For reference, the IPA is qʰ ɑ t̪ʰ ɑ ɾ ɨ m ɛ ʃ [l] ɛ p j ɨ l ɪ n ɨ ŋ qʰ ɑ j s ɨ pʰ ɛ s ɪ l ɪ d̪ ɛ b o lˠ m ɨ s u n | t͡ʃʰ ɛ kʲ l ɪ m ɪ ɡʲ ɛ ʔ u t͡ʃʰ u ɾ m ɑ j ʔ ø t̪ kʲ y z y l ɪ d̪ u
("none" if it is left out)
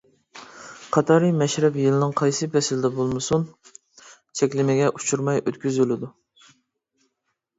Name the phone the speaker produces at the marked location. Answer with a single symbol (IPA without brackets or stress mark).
ɾ